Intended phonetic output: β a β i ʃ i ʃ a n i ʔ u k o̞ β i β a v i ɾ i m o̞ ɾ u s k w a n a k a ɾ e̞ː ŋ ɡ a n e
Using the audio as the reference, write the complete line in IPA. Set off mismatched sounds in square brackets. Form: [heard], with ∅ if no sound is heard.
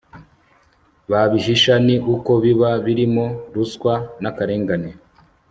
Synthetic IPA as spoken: β a β i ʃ i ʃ a n i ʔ u k o̞ β i β a [β] i ɾ i m o̞ ɾ u s k w a n a k a ɾ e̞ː ŋ ɡ a n e